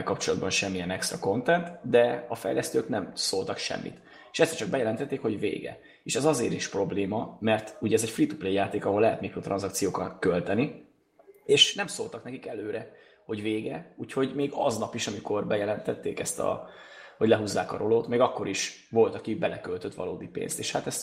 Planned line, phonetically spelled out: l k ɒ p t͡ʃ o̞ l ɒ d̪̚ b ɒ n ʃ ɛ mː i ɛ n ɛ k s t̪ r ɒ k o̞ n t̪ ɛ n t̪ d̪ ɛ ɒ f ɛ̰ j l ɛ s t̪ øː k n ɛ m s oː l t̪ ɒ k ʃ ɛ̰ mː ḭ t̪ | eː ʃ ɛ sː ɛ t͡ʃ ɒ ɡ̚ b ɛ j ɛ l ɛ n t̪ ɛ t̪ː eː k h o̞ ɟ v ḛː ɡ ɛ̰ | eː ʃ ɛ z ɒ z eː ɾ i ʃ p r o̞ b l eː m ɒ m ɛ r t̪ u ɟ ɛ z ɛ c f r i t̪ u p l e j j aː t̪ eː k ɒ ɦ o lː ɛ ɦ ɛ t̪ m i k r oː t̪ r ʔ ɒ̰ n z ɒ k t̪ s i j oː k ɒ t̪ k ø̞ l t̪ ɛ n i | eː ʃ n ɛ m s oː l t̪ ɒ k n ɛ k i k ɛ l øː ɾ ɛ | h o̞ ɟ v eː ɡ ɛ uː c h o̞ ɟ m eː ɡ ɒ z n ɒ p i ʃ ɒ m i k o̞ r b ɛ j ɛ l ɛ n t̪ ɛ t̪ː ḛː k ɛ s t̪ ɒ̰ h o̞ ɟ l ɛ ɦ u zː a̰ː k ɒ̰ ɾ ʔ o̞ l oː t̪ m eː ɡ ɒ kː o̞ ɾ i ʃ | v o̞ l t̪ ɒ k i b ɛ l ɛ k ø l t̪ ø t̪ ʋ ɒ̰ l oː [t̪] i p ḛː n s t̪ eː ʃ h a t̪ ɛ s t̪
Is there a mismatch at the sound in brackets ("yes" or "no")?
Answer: yes